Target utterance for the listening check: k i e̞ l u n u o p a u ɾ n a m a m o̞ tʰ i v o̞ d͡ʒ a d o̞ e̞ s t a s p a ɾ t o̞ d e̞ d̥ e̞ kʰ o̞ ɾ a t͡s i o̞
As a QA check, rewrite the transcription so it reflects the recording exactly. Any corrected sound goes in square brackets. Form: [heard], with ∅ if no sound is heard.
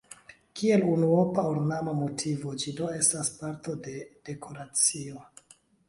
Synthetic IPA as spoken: k i e̞ l u n u o p a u ɾ n a m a m o̞ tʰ i v o̞ d͡ʒ [i] d o̞ e̞ s t a s p a ɾ t o̞ d e̞ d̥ e̞ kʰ o̞ ɾ a t͡s i o̞

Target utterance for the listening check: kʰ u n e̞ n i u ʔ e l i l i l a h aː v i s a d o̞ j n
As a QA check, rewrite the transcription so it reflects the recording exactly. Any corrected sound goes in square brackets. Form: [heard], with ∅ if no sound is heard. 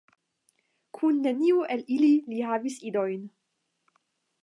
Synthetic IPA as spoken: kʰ u [nː] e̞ n i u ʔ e l i l i l [i] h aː v i s [i] d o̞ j n

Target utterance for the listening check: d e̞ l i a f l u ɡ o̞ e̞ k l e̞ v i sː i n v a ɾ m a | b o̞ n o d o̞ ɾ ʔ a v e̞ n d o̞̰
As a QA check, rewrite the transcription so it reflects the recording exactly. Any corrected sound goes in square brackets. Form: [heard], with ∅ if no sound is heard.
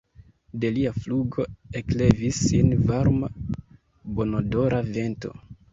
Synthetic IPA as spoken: d e̞ l i a f l u ɡ o̞ e̞ k l e̞ v i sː i n v a ɾ m a | b o̞ n o d o̞ ɾ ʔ a v e̞ n [t] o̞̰

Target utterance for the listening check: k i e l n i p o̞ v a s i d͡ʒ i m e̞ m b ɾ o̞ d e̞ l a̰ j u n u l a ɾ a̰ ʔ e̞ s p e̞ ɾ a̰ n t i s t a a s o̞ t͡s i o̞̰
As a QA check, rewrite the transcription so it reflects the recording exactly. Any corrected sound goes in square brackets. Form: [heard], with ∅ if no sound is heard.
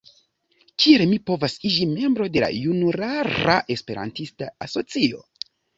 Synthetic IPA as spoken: k i e l [m] i p o̞ v a s i d͡ʒ i m e̞ m b ɾ o̞ d e̞ l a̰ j u n u [ɾ] a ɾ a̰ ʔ e̞ s p e̞ ɾ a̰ n t i s t a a s o̞ t͡s i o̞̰

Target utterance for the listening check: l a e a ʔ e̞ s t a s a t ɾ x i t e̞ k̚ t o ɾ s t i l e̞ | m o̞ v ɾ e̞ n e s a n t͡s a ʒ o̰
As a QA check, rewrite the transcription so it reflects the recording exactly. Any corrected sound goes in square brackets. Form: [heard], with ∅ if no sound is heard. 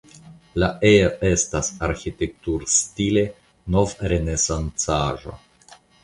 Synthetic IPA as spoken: l a e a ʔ e̞ s t a s a [∅] ɾ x i t e̞ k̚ t [u] ɾ s t i l e̞ | [n] o̞ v ɾ e̞ n e s a n t͡s a ʒ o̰

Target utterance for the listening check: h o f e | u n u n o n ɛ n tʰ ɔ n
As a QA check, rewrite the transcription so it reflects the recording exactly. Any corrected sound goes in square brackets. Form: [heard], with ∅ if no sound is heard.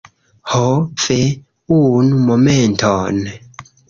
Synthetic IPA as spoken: h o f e | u n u [m] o [m] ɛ n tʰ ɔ n

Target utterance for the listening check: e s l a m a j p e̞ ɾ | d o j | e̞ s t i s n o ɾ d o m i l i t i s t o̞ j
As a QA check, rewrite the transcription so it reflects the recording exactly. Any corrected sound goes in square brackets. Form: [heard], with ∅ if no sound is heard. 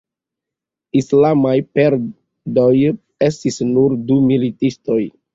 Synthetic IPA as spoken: [i] s l a m a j p e̞ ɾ | d o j | e̞ s t i s n [u] ɾ d [u] m i l i t i s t o̞ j

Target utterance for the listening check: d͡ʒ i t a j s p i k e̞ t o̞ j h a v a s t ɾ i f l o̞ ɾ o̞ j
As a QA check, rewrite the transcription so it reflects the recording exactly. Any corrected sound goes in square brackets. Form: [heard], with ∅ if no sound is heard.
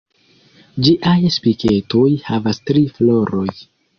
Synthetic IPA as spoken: d͡ʒ i [ʔ] a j s p i k e̞ t o̞ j h a v a s t ɾ i f l o̞ ɾ o̞ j

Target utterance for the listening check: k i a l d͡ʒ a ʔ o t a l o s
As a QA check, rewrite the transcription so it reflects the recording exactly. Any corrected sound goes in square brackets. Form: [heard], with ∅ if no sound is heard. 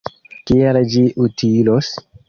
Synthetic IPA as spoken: k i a l d͡ʒ [i] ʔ [u] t [i] l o s

